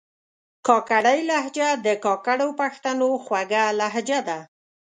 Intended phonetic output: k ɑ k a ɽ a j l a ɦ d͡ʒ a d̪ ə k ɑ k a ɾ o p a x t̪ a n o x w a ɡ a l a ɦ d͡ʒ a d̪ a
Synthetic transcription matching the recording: k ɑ k a ɽ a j l a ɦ d͡ʒ a d̪ ə k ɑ k a ɽ o p a x t̪ a n o x w a ɡ a l a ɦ d͡ʒ a d̪ a